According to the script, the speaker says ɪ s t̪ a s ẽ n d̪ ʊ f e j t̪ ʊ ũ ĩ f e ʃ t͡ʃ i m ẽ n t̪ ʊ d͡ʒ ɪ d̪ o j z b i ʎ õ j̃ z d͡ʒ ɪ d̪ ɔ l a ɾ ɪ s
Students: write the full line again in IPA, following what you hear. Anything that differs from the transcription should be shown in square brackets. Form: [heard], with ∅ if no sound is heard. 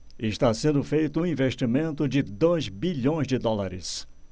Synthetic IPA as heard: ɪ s t̪ a s ẽ n d̪ ʊ f e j t̪ ʊ ũ ĩ [v] e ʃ t͡ʃ i m ẽ n t̪ ʊ d͡ʒ ɪ d̪ o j z b i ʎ õ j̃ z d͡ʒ ɪ d̪ ɔ l a ɾ ɪ s